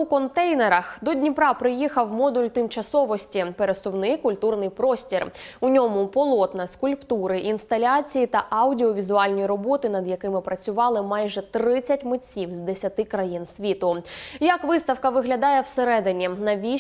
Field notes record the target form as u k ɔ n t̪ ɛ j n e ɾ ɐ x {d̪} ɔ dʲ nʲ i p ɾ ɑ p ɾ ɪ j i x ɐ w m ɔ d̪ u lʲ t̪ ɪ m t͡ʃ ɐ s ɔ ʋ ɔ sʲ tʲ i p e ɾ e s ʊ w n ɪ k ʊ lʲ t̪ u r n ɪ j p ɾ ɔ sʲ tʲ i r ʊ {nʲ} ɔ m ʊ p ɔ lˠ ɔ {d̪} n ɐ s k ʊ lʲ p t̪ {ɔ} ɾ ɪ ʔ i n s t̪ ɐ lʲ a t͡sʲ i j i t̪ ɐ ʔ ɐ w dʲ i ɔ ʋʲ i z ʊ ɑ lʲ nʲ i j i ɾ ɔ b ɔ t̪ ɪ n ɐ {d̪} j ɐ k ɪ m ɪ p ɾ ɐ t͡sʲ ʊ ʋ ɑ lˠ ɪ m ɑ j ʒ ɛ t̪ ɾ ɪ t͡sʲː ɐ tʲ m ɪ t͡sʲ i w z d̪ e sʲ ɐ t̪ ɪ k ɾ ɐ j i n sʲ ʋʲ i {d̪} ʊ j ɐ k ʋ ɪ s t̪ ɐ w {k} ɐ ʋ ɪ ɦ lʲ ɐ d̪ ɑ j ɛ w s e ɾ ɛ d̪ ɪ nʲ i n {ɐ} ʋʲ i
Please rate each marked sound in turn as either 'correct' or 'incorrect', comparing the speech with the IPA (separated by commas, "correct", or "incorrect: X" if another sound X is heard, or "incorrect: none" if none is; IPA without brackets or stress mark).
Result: correct, correct, incorrect: t̪, incorrect: u, correct, incorrect: t̪, correct, correct